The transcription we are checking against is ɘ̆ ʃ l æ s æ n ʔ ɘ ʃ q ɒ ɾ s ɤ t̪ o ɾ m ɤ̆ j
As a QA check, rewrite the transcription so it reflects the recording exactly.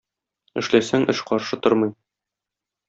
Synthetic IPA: ɘ̆ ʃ l æ s æ ŋ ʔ ɘ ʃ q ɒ ɾ ʃ ɤ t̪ o ɾ m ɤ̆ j